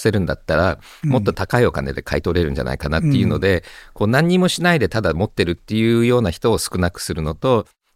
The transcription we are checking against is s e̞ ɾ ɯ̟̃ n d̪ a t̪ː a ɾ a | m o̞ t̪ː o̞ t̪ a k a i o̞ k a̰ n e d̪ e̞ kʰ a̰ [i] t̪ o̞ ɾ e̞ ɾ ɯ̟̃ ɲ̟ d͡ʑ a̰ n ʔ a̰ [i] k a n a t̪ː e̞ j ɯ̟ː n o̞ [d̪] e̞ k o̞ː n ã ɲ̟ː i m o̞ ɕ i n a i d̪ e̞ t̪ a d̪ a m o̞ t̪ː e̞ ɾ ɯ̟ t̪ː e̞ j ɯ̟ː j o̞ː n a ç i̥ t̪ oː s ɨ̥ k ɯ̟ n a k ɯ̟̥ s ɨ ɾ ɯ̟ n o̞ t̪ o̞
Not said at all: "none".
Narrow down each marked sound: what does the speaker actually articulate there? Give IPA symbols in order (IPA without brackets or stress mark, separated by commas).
i, i, d̪